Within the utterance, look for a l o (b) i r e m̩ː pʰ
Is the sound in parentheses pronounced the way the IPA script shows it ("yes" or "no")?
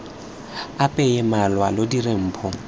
no